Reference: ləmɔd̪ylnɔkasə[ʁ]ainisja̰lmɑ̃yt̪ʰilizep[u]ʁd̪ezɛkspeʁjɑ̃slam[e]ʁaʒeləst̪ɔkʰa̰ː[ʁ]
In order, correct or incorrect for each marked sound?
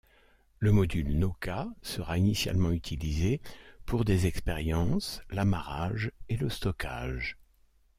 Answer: correct, correct, incorrect, incorrect

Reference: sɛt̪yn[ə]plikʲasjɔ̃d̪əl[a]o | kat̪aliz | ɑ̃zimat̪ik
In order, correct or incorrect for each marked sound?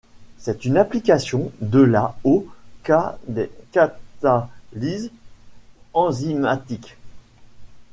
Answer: incorrect, correct

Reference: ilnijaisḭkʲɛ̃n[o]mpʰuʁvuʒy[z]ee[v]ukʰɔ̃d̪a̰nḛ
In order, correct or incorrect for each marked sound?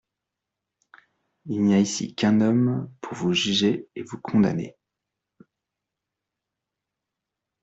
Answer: incorrect, incorrect, correct

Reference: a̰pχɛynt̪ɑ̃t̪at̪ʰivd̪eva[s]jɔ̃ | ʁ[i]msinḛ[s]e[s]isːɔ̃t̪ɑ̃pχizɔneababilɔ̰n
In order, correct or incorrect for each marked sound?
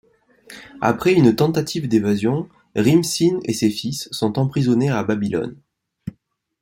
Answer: incorrect, correct, correct, incorrect

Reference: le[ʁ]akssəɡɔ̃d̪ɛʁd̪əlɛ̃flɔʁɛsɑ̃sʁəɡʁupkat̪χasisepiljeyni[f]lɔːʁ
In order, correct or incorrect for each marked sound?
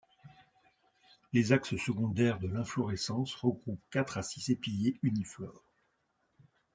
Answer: incorrect, correct

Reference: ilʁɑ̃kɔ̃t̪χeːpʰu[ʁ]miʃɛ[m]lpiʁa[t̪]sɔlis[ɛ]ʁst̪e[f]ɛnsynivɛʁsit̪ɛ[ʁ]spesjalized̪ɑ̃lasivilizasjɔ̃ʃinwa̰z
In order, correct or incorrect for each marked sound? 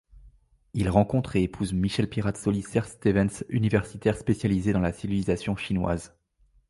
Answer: incorrect, incorrect, correct, correct, incorrect, correct

